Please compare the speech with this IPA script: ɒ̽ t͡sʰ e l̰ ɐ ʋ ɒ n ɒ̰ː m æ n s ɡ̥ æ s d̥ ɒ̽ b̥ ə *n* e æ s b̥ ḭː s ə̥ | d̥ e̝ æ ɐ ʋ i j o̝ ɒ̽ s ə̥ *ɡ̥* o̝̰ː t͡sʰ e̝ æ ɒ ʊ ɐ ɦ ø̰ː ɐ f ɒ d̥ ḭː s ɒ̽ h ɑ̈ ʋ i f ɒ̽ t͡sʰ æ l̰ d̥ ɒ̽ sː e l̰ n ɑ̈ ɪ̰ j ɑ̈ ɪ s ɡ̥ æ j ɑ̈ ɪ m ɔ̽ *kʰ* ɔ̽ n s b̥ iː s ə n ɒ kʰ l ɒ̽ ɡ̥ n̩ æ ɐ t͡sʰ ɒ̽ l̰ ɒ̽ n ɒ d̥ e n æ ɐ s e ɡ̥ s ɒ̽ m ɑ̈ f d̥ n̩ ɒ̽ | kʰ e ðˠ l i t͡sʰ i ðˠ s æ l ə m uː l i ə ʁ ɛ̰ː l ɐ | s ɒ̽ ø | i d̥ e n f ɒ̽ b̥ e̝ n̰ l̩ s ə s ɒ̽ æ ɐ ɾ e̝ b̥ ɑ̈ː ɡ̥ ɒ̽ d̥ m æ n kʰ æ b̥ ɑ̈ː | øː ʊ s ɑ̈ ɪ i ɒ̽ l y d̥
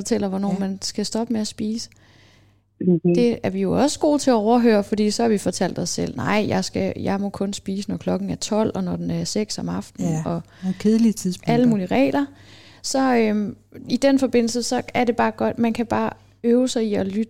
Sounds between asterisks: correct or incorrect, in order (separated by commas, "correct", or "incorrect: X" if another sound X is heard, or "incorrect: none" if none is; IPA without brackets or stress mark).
incorrect: m, correct, correct